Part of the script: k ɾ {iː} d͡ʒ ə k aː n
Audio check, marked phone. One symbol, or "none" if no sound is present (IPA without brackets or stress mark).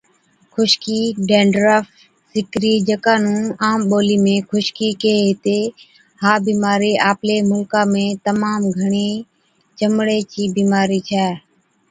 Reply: iː